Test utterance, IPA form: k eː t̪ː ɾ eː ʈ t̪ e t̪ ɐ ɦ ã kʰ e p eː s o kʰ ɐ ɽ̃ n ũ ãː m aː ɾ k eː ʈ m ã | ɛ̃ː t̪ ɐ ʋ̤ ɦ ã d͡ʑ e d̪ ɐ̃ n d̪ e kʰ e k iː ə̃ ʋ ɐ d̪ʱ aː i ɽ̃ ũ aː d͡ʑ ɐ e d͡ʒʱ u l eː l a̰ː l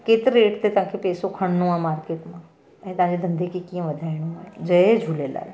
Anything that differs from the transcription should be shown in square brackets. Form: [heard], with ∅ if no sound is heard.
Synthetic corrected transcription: k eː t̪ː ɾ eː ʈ t̪ e t̪ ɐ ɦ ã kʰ e p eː s o kʰ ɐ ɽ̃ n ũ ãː m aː ɾ k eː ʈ m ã | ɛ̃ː t̪ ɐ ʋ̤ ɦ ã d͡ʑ e d̪ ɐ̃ n d̪ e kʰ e k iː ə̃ ʋ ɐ d̪ʱ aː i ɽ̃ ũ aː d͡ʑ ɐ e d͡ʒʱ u l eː l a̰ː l